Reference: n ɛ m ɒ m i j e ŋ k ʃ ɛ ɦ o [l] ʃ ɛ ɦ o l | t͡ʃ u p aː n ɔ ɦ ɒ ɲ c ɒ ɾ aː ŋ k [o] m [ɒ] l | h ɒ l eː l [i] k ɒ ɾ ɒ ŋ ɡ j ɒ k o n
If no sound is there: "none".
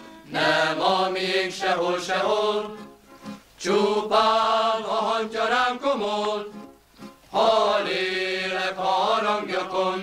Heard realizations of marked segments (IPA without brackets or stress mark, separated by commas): l, o, o, ɛ